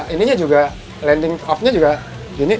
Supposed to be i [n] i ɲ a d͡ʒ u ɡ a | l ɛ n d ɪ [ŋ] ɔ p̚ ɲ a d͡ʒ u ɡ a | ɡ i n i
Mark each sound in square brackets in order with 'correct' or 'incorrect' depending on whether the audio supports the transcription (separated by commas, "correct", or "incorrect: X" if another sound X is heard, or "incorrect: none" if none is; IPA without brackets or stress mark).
correct, correct